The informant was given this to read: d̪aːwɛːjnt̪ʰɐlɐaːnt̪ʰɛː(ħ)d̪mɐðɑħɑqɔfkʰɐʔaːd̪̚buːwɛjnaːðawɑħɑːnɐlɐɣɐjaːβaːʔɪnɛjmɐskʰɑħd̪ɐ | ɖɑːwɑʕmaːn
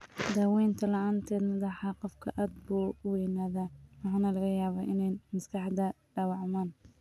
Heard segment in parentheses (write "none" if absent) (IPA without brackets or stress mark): none